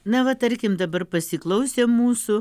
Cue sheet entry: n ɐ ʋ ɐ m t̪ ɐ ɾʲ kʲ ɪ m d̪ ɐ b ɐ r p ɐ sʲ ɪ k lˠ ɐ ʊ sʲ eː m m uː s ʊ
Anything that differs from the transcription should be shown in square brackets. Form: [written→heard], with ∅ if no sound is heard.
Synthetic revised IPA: n ɐ ʋ ɐ [m→∅] t̪ ɐ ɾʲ kʲ ɪ m d̪ ɐ b ɐ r p ɐ sʲ ɪ k lˠ ɐ ʊ sʲ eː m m uː s ʊ